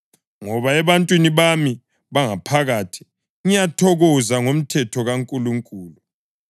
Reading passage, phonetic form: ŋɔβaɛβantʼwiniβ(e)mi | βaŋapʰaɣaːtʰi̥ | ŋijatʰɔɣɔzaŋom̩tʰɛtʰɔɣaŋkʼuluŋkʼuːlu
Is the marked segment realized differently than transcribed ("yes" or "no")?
yes